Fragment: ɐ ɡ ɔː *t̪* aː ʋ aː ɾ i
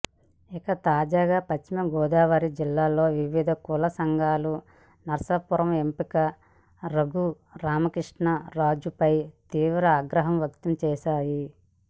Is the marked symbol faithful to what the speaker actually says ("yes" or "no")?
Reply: no